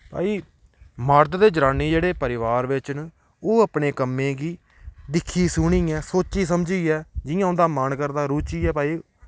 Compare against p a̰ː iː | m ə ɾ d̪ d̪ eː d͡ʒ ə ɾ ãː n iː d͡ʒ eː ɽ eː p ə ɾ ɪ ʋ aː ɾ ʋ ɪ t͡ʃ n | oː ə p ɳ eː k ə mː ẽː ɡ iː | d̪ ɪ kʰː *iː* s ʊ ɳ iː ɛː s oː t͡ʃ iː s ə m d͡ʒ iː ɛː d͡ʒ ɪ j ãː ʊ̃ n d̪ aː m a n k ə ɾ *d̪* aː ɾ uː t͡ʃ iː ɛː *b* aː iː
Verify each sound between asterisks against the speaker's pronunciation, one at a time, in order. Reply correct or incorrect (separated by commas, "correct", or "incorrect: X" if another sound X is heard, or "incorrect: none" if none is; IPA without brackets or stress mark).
correct, correct, incorrect: p